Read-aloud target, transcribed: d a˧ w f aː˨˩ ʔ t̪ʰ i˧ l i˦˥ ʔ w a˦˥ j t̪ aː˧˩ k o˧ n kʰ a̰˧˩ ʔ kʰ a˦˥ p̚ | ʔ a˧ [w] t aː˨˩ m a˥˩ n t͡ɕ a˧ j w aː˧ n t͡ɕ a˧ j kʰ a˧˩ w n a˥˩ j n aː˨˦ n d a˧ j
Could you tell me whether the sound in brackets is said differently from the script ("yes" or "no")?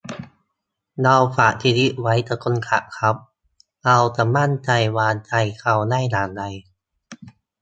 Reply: no